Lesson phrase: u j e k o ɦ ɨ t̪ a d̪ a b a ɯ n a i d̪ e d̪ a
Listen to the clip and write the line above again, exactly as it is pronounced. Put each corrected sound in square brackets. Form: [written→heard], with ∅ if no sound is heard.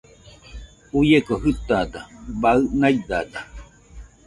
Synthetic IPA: u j e k o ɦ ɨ t̪ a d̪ a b a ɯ n a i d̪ [e→a] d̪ a